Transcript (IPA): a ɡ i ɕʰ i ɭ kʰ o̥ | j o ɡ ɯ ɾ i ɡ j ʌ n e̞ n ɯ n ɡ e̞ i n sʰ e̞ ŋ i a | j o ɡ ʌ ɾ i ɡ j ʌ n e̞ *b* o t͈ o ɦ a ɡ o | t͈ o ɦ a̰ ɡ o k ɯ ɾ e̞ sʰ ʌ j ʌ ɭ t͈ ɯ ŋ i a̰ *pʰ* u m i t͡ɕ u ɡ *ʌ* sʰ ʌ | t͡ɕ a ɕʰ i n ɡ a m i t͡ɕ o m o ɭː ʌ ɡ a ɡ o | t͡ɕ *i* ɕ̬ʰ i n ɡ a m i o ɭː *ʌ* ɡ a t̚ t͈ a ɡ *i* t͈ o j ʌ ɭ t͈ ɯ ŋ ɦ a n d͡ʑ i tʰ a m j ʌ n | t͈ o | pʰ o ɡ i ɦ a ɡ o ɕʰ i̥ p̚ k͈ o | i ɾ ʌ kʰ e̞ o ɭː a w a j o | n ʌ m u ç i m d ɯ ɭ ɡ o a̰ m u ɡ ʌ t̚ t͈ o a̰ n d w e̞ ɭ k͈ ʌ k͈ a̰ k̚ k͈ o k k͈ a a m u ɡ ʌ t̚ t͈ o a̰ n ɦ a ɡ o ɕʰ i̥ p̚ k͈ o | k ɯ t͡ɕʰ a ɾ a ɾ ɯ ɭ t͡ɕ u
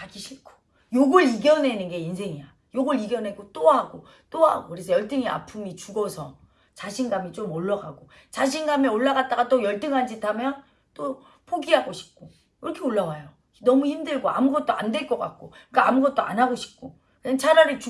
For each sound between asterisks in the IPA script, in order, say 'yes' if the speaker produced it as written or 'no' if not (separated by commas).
no, yes, yes, no, no, no